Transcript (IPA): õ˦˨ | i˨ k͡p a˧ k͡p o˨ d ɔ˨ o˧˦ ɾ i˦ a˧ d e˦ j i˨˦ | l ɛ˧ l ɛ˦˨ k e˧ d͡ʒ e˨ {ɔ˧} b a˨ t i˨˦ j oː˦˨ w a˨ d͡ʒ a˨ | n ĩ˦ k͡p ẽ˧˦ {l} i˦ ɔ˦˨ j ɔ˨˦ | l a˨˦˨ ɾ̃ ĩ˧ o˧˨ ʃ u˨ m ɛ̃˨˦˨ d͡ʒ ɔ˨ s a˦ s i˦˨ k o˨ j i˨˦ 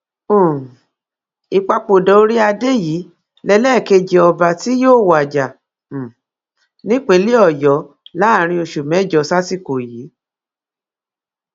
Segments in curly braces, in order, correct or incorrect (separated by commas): correct, correct